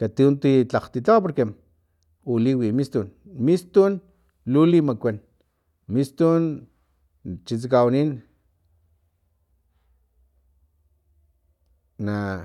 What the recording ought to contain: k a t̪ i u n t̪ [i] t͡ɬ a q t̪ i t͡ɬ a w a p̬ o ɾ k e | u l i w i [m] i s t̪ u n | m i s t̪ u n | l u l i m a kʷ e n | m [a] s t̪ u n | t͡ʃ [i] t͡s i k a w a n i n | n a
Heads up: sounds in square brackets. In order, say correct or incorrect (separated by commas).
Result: correct, correct, incorrect, correct